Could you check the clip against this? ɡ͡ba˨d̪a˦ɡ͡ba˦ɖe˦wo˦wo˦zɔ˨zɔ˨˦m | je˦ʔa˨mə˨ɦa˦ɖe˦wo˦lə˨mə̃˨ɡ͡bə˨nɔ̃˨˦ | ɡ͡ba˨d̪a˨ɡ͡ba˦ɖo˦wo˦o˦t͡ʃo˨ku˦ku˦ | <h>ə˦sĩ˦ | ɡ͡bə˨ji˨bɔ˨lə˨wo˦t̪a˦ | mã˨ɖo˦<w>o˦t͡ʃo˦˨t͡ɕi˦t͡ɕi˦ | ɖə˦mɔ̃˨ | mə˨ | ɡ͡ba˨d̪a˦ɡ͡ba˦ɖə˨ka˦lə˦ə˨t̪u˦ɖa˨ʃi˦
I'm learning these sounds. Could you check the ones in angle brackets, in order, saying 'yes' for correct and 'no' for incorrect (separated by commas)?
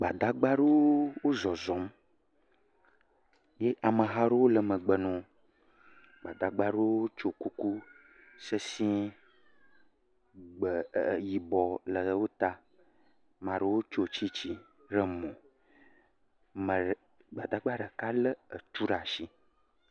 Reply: no, yes